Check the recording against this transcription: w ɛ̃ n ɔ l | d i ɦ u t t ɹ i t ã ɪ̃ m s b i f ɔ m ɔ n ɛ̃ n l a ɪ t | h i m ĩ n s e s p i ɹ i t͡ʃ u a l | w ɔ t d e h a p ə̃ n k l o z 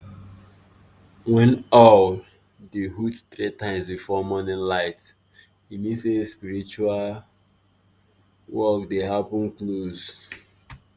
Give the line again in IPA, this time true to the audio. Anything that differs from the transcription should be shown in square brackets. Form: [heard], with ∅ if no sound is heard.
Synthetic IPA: w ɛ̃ n ɔ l | d [e] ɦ u t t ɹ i t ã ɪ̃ m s b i f ɔ m ɔ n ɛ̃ n l a ɪ t | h i m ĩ n s e s p i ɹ i t͡ʃ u a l | w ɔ [k] d e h a p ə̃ n k l o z